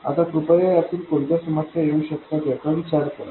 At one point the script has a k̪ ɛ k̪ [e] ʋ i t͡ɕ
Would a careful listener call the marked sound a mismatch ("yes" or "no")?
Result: yes